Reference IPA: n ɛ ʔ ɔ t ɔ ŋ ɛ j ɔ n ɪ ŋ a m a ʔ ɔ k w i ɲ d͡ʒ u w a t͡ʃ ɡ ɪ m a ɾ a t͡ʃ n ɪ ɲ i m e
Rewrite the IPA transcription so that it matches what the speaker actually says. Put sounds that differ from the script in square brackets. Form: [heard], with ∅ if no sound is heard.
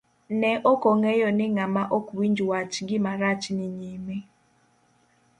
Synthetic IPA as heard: n ɛ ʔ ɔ [k] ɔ ŋ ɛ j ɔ n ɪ ŋ a m a ʔ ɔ k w i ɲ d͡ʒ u w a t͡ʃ ɡ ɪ m a ɾ a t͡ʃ n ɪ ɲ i m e

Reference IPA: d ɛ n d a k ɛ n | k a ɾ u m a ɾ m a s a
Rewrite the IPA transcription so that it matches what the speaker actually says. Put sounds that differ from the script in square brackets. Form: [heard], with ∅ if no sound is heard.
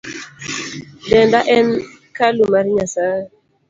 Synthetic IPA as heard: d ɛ n d a [ʔ] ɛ n | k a [l] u m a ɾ [ɲ] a s a

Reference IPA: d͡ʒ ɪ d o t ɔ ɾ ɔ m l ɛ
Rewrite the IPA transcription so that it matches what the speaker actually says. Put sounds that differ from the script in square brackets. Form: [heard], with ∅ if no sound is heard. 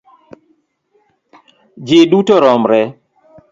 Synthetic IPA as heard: d͡ʒ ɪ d [u] t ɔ ɾ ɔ m [ɾ] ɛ

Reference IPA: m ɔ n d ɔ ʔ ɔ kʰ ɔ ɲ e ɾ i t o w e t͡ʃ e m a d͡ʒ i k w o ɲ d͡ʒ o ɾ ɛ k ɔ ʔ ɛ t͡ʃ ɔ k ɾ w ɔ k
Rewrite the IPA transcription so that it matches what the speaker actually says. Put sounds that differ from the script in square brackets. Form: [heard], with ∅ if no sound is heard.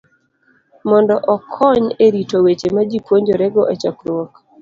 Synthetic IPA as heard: m ɔ n d ɔ ʔ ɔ kʰ ɔ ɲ e ɾ i t o w e t͡ʃ e m a d͡ʒ i [p] w o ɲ d͡ʒ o ɾ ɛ [ɡ] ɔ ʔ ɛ t͡ʃ ɔ k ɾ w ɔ k

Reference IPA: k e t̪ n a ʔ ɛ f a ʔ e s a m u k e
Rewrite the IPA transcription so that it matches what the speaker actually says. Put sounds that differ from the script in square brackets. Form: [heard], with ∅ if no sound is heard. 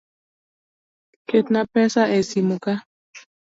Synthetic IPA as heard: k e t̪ n a [p] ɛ [s] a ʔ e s [i] m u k [a]

